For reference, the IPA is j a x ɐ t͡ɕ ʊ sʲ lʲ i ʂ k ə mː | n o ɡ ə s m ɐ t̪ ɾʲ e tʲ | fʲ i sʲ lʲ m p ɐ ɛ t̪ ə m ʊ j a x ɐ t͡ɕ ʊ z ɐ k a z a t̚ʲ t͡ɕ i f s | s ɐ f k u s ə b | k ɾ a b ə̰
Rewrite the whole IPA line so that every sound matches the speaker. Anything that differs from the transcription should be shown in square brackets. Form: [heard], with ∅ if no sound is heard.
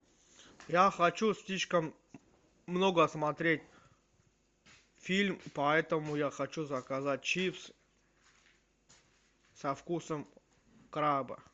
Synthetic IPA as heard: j a x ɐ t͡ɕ [u] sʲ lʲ i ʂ k ə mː | n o ɡ ə s m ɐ t̪ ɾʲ e tʲ | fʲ i [∅] lʲ m p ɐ ɛ t̪ ə m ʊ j a x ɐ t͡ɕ [u] z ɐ k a z a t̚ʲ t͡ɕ i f s | s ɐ f k u s ə [m] | k ɾ a b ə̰